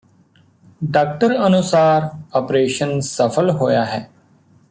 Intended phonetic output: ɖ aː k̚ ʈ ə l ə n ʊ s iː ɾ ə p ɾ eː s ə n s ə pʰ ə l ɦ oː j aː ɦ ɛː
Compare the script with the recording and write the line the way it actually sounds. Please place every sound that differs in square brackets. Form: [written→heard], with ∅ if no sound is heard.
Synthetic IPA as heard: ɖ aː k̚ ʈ ə [l→ɾ] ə n ʊ s [iː→aː] ɾ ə p ɾ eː [s→ʃ] ə n s ə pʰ ə l ɦ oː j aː ɦ ɛː